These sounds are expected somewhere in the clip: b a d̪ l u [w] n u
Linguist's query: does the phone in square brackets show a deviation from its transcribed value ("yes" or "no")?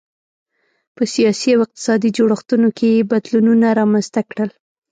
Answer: yes